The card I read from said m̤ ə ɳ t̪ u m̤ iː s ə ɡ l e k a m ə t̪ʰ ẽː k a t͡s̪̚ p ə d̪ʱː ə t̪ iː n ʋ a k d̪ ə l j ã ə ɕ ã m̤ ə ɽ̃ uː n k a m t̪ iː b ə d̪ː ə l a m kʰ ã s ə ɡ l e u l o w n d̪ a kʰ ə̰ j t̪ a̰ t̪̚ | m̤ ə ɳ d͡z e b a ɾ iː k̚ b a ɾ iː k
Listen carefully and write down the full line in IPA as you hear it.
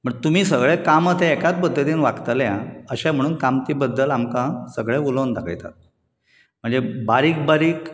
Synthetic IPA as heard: m̤ ə ɳ t̪ u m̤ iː s ə ɡ ɭ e k a m ə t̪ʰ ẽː k a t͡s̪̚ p ə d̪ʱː ə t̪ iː n ʋ a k t̪ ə l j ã ə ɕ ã m̤ ə ɽ̃ uː n k a m t̪ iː b ə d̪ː ə l a m k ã s ə ɡ ɭ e u l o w n d̪ a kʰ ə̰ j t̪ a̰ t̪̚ | m̤ ə ɳ d͡z e b a ɾ iː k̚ b a ɾ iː k